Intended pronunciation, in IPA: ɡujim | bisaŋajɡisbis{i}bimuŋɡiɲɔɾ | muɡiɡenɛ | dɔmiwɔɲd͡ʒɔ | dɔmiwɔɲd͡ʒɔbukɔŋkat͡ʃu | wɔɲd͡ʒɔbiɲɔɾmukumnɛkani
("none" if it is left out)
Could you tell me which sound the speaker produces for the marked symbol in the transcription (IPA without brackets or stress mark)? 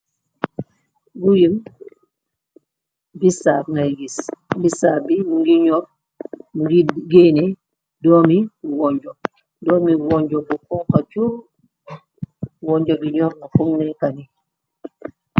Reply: a